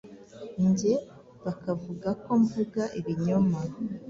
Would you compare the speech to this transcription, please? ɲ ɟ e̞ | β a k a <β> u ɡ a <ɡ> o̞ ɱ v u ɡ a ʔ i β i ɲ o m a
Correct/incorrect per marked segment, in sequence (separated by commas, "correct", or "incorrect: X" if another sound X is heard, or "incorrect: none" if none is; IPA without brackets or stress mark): incorrect: v, incorrect: k